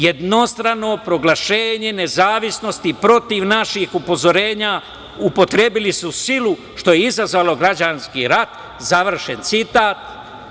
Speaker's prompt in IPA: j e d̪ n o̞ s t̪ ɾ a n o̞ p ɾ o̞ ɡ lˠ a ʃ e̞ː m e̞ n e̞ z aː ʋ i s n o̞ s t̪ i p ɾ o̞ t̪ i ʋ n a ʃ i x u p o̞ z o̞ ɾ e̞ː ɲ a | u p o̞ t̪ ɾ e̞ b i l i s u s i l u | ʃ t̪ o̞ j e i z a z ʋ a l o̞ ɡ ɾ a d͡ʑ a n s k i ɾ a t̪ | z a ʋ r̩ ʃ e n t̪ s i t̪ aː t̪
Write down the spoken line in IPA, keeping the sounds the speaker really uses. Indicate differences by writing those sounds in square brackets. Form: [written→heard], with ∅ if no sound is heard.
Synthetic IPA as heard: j e d̪ n o̞ s t̪ ɾ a n o̞ p ɾ o̞ ɡ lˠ a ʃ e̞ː [m→ɲ] e̞ n e̞ z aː ʋ i s n o̞ s t̪ i p ɾ o̞ t̪ i ʋ n a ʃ i x u p o̞ z o̞ ɾ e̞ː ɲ a | u p o̞ t̪ ɾ e̞ b i l i s u s i l u | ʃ t̪ o̞ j e i z a z ʋ a l o̞ ɡ ɾ a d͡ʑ a n s k i ɾ a t̪ | z a ʋ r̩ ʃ e n t̪ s i t̪ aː t̪